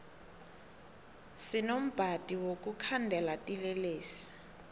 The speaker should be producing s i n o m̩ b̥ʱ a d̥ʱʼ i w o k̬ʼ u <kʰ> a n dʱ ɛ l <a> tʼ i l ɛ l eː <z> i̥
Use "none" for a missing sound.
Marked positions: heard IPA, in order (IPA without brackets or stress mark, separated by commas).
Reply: kʰ, a, s